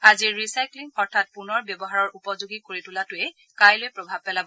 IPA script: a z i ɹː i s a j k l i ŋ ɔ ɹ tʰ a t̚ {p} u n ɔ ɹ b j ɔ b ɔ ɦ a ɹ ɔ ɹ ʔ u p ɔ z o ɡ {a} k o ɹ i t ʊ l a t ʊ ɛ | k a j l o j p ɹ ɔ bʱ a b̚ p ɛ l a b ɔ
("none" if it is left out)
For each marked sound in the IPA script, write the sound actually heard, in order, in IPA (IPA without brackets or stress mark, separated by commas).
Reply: p, i